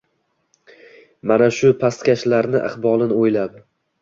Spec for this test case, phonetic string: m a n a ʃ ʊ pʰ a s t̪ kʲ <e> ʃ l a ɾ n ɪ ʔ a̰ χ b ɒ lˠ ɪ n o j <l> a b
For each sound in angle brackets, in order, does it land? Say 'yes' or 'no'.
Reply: no, yes

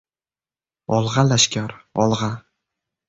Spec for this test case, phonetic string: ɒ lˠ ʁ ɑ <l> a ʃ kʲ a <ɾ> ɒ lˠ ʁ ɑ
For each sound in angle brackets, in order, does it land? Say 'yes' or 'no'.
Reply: yes, yes

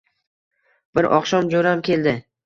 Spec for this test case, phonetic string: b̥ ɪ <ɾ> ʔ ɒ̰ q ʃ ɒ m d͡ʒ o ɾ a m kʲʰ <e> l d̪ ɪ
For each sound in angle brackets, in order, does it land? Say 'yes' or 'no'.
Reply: yes, yes

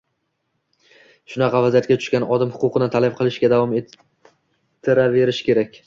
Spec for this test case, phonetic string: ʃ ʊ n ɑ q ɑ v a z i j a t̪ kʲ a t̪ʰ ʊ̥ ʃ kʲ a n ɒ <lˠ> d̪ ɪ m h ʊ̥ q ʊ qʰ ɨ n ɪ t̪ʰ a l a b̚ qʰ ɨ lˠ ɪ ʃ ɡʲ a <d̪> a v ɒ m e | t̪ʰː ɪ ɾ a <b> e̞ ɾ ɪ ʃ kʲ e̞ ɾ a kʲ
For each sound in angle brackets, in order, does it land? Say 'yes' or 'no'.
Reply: no, yes, no

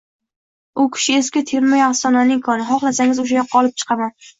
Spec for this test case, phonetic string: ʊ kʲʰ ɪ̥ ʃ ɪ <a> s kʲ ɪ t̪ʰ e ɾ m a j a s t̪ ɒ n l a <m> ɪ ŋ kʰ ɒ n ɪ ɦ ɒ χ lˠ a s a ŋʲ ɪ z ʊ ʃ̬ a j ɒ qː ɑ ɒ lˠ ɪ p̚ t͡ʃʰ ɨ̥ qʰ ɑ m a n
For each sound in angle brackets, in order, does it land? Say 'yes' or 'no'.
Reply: no, no

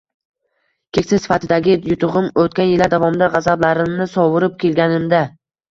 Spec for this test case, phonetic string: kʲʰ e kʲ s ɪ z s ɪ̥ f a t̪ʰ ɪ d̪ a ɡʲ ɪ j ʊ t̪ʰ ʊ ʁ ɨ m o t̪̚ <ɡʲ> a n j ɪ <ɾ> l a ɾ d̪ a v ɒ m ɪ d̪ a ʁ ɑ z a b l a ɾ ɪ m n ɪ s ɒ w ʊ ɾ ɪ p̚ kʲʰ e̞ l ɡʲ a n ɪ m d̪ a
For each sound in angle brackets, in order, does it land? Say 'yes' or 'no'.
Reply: no, no

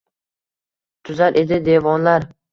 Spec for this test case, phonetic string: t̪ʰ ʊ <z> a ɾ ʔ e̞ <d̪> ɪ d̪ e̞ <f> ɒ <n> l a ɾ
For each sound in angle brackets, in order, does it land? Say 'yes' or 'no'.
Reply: yes, yes, no, yes

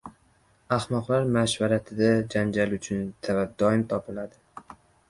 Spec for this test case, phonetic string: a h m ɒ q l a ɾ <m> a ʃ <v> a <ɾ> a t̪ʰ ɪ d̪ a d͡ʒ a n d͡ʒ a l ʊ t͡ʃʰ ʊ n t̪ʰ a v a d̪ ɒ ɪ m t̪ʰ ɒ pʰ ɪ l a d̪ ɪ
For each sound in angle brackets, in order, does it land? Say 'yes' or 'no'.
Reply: yes, yes, yes

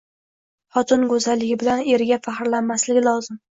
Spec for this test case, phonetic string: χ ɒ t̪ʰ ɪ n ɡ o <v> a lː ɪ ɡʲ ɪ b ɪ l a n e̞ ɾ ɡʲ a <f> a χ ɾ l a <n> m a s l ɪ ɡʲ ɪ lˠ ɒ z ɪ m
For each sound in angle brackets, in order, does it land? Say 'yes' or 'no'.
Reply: no, yes, yes

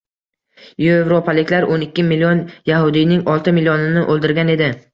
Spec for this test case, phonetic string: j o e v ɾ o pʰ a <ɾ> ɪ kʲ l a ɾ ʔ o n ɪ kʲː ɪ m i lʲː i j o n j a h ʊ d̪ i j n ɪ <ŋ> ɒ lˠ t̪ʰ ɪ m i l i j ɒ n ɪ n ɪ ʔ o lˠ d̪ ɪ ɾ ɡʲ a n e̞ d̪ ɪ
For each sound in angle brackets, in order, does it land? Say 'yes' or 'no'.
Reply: no, yes

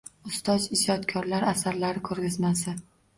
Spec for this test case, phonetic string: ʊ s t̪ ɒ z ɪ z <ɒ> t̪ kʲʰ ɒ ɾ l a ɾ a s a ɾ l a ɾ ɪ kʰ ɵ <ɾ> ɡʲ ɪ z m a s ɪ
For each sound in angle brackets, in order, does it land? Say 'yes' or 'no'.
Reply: yes, yes

